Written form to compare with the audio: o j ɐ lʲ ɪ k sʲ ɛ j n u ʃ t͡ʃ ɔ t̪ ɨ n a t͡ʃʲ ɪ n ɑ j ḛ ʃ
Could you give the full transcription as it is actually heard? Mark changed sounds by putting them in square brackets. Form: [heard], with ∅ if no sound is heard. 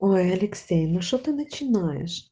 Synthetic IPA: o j ɐ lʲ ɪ k sʲ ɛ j n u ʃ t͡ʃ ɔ t̪ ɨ n [ɐ] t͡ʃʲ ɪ n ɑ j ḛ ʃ